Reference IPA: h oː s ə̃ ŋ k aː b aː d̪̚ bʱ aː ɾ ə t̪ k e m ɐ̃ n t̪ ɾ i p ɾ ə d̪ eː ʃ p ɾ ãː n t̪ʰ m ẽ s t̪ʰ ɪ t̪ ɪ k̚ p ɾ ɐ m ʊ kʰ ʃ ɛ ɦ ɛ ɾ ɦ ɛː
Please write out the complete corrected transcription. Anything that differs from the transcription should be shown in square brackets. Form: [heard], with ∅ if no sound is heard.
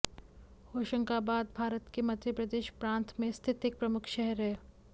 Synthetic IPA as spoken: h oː [ʃ] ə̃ ŋ k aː b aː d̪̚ bʱ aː ɾ ə t̪ k e m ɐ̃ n t̪ ɾ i p ɾ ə d̪ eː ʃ p ɾ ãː n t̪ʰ m ẽ s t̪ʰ ɪ t̪ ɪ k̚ p ɾ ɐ m ʊ kʰ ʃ ɛ ɦ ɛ ɾ ɦ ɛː